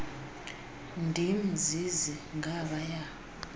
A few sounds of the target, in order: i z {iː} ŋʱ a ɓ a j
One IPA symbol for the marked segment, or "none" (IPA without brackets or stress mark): i